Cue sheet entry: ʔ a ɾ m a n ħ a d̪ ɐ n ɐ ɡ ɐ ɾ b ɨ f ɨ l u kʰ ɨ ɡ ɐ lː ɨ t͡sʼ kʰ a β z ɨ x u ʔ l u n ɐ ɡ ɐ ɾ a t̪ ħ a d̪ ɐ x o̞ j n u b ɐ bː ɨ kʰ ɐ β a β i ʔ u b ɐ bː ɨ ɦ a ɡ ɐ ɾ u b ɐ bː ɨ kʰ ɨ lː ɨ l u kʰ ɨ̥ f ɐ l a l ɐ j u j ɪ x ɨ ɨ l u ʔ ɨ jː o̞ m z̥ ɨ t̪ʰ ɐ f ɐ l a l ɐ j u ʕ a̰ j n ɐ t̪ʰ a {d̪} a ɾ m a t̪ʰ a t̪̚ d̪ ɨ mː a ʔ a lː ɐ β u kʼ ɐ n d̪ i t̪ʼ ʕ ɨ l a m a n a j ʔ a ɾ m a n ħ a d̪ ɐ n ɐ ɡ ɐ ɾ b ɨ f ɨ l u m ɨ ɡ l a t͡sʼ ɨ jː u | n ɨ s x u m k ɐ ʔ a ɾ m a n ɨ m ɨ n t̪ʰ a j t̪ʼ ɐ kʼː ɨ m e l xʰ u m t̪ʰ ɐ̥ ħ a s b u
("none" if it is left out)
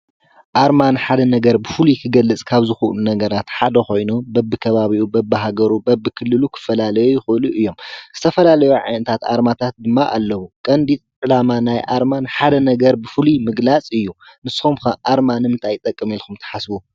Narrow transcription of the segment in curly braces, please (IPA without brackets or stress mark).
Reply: t̪